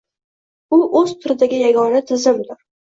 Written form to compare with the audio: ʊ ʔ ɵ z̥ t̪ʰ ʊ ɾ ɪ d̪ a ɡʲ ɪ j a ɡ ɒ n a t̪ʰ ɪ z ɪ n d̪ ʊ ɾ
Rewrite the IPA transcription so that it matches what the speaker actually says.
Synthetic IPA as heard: ʊ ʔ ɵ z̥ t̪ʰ ʊ ɾ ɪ d̪ a ɡʲ ɪ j a ɡ ɒ n a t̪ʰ ɪ z ɪ m d̪ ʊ ɾ